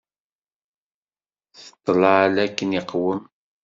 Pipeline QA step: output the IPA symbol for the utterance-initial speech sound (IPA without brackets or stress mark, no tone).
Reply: θ